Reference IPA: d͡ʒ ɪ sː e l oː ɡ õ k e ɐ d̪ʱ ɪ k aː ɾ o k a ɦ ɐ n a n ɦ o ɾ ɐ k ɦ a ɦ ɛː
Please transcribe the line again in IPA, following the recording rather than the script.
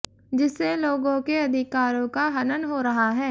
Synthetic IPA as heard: d͡ʒ ɪ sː e l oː ɡ õ k e ɐ d̪ʱ ɪ k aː ɾ õ k a ɦ ɐ n ə n ɦ o ɾ ɐ ɦ a ɦ ɛː